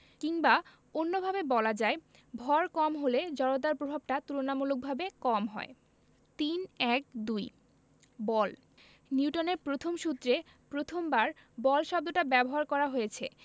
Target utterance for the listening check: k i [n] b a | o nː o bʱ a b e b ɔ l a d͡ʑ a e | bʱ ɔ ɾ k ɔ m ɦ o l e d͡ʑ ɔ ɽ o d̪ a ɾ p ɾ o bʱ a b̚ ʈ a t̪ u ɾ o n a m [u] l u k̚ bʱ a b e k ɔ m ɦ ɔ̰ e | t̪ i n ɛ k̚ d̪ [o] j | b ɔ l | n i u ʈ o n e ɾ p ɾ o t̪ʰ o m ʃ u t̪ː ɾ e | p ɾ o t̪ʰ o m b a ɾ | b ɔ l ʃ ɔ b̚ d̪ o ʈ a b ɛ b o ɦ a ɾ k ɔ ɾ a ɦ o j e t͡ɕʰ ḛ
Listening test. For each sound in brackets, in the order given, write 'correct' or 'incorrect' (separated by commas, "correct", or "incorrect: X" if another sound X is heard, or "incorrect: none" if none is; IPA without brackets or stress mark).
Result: incorrect: ŋ, correct, incorrect: u